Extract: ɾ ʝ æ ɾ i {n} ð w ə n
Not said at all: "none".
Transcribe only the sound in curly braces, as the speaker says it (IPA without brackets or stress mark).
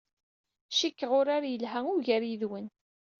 none